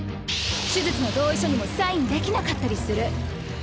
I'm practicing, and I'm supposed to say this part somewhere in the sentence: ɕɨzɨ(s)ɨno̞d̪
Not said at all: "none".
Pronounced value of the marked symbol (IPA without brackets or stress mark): t͡s